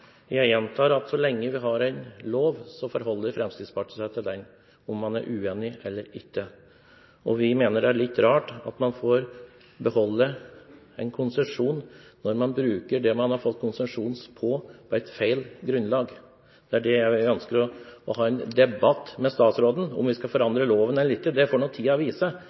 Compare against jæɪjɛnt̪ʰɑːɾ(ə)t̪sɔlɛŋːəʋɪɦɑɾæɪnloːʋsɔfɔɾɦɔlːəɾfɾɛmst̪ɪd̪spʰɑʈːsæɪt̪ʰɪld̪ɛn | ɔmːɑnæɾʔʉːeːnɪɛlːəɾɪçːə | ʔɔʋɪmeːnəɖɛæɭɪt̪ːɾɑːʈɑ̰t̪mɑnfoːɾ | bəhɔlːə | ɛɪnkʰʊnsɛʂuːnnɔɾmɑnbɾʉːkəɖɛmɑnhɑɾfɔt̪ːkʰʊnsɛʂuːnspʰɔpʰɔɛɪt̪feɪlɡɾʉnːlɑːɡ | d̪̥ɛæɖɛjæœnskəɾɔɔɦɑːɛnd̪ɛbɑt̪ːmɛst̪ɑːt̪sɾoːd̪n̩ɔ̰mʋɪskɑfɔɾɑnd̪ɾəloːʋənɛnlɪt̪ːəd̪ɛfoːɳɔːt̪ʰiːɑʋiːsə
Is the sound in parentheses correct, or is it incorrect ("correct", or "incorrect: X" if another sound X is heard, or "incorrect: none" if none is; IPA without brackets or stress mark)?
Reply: incorrect: ɑ